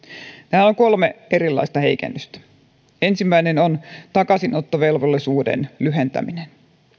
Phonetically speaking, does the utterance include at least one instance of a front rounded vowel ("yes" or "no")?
yes